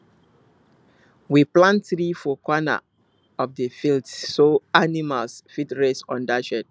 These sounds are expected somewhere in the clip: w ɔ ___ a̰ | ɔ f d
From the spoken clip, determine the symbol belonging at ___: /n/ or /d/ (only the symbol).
n